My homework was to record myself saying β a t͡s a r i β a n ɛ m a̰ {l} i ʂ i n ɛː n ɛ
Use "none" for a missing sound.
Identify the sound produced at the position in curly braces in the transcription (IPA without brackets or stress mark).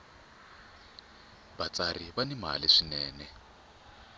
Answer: l